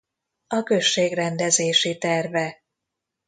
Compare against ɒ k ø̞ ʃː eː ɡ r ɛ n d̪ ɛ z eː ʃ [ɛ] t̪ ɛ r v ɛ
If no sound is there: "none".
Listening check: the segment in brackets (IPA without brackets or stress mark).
i